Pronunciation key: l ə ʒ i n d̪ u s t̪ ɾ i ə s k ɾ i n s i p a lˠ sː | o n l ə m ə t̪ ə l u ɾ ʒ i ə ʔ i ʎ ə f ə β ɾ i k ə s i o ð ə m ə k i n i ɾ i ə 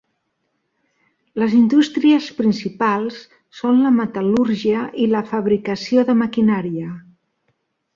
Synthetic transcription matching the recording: l ə z i n d̪ u s t̪ ɾ i ə s p ɾ i n s i p a lˠ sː | o n l ə m ə t̪ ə l u ɾ ʒ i ə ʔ i l ə f ə β ɾ i k ə s i o ð ə m ə k i n a ɾ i ə